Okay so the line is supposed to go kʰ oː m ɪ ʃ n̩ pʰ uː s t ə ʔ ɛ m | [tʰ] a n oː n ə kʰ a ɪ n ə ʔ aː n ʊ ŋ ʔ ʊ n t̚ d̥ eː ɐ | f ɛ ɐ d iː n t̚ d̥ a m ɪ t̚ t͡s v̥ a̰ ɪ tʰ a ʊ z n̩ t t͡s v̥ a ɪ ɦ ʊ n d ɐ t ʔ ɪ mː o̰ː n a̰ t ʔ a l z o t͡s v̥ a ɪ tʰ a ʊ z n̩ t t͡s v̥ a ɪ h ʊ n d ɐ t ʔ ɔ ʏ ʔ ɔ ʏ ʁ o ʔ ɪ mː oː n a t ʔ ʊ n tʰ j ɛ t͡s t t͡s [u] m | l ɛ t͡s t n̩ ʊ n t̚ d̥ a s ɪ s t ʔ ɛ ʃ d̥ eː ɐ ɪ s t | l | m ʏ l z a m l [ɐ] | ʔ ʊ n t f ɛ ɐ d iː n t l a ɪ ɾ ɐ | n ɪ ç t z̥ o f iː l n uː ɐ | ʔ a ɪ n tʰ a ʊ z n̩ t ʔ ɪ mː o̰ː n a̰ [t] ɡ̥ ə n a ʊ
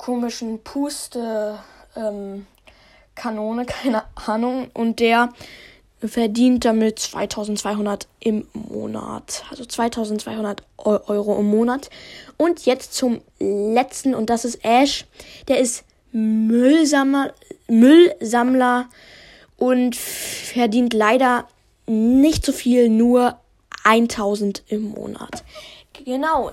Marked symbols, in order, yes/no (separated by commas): no, no, yes, yes